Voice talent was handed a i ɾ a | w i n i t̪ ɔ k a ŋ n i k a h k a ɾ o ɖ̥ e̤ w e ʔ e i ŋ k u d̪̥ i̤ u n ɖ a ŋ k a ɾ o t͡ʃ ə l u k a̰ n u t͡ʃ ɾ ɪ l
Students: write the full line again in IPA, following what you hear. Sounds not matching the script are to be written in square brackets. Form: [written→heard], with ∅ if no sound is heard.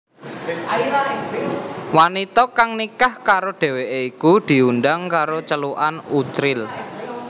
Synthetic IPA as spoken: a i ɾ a | w [i→a] n i t̪ ɔ k a ŋ n i k a h k a ɾ o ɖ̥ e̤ w e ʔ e i [ŋ→∅] k u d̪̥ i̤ u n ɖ a ŋ k a ɾ o t͡ʃ ə l u [k→ʔ] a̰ n u t͡ʃ ɾ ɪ l